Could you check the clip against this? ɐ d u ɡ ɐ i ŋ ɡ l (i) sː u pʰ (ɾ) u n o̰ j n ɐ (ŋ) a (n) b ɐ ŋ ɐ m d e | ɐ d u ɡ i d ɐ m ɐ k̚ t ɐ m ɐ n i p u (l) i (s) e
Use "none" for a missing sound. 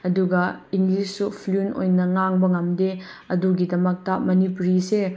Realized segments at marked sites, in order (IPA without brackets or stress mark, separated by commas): i, l, ŋ, ŋ, ɾ, s